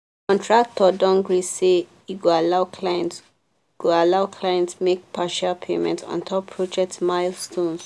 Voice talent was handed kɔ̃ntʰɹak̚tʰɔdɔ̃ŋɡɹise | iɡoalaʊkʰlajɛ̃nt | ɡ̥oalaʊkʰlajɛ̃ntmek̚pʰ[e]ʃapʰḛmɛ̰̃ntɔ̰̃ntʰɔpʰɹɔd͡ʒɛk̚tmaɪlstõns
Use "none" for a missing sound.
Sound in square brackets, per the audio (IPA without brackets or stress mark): a